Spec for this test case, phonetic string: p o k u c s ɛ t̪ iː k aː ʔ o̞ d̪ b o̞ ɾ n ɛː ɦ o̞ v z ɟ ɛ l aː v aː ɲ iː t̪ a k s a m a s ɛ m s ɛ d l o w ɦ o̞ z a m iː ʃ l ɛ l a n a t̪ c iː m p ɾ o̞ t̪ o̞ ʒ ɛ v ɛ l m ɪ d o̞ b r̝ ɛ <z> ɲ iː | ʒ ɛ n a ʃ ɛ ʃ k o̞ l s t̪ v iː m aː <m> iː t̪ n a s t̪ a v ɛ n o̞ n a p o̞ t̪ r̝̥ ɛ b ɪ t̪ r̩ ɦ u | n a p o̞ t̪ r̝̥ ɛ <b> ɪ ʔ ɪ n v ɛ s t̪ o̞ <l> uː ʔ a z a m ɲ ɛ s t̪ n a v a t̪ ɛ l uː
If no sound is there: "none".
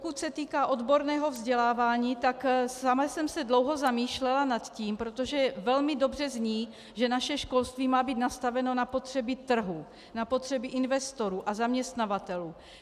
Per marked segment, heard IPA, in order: z, b, b, ɾ

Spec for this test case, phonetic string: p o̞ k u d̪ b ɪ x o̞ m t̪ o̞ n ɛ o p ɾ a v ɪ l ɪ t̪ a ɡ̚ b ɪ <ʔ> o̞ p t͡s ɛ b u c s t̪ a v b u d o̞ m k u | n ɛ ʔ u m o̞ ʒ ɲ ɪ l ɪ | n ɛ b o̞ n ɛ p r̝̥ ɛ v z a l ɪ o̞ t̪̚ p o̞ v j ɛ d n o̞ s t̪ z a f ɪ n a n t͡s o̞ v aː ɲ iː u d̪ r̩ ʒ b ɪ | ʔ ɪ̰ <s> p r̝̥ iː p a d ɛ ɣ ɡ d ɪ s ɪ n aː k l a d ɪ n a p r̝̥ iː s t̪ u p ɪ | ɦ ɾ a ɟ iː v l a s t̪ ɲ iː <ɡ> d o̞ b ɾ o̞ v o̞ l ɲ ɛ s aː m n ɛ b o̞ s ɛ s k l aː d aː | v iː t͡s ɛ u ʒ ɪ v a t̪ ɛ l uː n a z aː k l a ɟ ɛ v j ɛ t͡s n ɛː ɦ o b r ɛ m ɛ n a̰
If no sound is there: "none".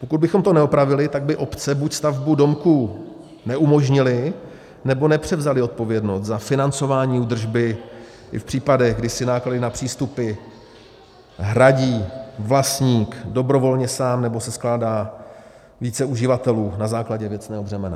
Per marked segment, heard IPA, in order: ʔ, f, k

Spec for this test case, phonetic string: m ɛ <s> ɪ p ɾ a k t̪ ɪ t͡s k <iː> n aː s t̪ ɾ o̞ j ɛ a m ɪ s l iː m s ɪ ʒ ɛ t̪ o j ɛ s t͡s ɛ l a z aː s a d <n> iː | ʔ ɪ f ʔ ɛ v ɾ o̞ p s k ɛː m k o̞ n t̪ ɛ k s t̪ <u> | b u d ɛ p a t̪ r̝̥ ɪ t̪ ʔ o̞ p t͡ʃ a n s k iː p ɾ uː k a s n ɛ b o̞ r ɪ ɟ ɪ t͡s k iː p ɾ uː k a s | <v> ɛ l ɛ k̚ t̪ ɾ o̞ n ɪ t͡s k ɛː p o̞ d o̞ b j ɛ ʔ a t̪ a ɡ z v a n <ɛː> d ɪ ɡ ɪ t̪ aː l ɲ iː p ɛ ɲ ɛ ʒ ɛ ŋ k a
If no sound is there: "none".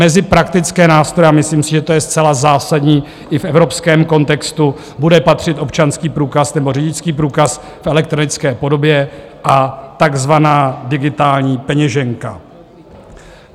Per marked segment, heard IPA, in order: z, ɛː, ɲ, u, f, aː

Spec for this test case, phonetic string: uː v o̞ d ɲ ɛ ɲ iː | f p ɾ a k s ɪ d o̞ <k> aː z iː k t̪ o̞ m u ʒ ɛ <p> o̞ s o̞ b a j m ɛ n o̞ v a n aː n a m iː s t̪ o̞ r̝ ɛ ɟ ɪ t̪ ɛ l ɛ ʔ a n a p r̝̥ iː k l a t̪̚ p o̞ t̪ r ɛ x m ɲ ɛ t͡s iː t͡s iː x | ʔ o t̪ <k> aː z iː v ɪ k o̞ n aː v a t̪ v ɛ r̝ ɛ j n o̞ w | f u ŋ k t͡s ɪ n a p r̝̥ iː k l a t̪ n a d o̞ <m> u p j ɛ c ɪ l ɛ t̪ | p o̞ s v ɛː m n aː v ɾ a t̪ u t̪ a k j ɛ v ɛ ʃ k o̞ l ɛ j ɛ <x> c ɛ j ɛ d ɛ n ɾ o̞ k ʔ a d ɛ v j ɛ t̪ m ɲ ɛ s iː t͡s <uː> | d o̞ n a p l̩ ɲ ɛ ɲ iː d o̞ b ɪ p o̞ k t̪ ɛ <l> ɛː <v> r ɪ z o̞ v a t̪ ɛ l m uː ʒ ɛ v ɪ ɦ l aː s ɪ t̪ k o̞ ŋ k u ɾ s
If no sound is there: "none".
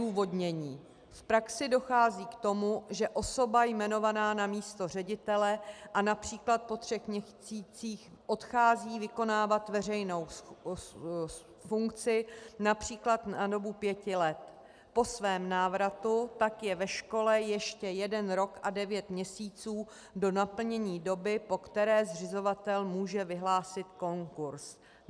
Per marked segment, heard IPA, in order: x, ʔ, x, b, ʃ, uː, ɾ, z

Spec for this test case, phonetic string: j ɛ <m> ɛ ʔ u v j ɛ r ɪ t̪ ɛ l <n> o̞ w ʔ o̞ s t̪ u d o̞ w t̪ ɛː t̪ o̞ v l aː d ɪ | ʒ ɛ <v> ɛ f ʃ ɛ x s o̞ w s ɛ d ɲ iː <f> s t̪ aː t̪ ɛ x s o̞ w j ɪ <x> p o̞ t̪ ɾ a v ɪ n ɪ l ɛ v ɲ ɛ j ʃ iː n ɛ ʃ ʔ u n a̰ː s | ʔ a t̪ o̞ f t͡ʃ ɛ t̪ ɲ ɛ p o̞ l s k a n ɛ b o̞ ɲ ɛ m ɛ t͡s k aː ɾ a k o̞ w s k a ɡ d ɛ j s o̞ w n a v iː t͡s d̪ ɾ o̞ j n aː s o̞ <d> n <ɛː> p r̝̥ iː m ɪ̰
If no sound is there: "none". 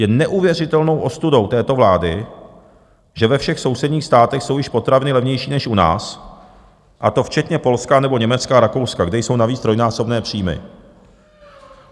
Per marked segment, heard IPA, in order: n, n, v, x, ʃ, b, ɛː

